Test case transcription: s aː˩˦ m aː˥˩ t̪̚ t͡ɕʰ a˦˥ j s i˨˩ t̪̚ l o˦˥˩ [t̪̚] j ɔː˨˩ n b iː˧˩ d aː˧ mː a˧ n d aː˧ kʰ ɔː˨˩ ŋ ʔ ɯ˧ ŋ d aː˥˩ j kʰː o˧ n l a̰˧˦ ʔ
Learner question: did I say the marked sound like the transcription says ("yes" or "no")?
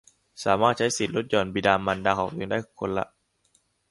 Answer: yes